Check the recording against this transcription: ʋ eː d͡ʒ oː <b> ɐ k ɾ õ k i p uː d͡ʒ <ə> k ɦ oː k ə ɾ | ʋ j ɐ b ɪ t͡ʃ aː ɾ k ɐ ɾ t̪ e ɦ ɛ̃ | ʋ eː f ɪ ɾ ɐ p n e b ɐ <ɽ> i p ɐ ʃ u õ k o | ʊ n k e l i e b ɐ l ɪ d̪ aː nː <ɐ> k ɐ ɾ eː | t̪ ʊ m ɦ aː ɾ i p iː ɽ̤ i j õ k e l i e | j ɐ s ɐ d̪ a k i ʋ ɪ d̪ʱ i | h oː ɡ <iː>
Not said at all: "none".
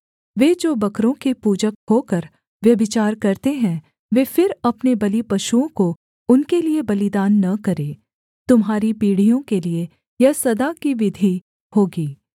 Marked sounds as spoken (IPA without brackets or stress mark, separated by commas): b, ə, l, ɐ, iː